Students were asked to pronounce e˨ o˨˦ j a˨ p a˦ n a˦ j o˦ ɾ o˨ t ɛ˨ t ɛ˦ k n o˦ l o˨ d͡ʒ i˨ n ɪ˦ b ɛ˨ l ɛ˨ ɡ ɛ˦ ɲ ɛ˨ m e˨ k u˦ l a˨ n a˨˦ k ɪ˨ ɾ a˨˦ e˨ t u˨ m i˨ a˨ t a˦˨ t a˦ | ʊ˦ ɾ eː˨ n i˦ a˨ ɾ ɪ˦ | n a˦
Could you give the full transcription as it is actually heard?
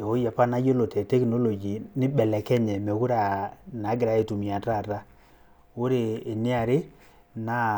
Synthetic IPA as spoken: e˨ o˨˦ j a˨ p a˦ n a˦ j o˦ l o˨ t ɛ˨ t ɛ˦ k n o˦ l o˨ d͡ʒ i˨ n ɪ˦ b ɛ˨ l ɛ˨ k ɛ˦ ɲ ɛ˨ m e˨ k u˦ ɾ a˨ n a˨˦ ɡ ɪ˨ ɾ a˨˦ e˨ t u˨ m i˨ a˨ t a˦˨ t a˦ | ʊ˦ ɾ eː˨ n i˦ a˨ ɾ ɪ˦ | n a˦